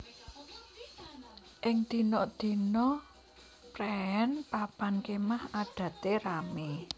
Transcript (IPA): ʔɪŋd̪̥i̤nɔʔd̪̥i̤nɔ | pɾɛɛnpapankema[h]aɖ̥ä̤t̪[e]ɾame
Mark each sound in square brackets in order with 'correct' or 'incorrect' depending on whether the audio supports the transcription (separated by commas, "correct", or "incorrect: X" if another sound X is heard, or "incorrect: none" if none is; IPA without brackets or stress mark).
correct, correct